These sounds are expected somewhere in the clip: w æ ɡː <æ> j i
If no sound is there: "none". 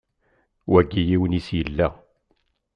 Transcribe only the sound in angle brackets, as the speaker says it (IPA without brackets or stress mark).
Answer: i